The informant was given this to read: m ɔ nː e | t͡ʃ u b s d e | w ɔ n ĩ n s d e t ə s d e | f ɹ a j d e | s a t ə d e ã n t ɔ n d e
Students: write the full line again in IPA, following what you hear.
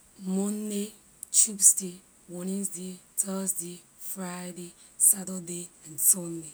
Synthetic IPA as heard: m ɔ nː e | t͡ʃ u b s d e | w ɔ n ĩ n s d e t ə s d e | f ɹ a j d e | s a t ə d e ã n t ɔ n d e